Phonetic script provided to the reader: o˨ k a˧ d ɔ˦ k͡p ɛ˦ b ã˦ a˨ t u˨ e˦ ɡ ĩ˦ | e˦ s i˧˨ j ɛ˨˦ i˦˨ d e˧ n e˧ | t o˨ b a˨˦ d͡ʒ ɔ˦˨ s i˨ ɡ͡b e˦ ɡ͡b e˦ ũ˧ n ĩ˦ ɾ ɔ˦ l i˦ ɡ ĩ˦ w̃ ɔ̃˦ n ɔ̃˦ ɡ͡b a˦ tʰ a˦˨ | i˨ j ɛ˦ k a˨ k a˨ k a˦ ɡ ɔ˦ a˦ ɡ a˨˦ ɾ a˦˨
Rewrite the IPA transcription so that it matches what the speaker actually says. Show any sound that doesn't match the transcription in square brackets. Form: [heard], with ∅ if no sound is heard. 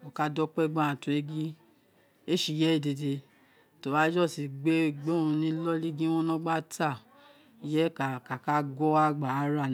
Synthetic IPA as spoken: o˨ k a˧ d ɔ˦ k͡p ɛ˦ [ɡ͡b] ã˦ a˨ t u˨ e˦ ɡ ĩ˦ | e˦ [ʃ] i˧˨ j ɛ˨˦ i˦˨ d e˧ [d] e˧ | t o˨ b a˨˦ d͡ʒ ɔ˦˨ s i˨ ɡ͡b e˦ ɡ͡b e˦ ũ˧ n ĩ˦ [l] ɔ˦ l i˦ ɡ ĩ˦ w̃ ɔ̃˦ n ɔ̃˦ ɡ͡b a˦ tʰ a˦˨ | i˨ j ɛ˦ k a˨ k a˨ k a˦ ɡ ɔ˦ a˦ [ɡ͡b] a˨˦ ɾ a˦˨

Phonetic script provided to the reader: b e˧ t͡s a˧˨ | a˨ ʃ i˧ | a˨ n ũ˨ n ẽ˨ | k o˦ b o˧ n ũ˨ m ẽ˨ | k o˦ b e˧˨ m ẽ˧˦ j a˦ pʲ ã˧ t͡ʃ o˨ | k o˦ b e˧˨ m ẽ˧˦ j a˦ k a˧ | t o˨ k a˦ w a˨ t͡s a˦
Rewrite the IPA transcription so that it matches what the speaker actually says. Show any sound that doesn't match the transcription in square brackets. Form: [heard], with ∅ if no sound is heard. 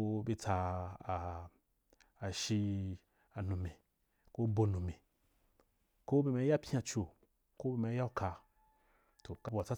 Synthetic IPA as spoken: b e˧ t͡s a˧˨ | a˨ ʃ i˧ | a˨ n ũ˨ [m] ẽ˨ | k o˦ b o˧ n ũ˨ m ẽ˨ | k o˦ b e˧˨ m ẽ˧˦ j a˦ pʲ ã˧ t͡ʃ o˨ | k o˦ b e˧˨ m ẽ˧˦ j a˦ k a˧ | t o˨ k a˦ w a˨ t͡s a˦

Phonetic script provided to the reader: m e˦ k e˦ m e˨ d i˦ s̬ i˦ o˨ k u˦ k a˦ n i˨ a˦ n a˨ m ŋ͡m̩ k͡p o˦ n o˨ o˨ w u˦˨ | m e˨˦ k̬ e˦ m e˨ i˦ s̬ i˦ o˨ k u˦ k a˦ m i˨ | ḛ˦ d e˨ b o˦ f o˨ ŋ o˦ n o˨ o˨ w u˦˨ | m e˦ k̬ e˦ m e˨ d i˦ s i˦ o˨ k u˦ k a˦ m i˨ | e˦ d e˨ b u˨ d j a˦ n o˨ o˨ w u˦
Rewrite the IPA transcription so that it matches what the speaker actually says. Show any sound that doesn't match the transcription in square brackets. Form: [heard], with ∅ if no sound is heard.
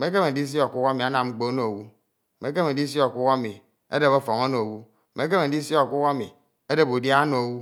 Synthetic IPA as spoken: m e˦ k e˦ m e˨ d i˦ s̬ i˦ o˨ k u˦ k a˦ [m] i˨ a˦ n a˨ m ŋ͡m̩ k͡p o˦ n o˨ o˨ w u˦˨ | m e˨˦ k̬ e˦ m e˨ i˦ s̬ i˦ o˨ k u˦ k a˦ m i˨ | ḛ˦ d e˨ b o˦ f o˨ ŋ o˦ n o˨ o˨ w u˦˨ | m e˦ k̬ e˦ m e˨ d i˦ s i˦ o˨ k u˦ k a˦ m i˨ | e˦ d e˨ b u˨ d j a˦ n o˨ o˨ w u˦

